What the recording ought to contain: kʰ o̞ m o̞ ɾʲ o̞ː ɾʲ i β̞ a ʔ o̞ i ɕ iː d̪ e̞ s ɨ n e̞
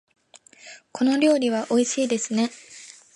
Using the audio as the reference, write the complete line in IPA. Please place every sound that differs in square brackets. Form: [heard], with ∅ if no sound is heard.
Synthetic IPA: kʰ o̞ [n] o̞ ɾʲ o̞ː ɾʲ i β̞ a ʔ o̞ i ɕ iː d̪ e̞ s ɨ n e̞